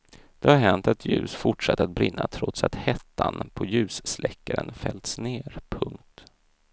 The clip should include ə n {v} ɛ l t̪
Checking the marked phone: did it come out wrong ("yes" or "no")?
yes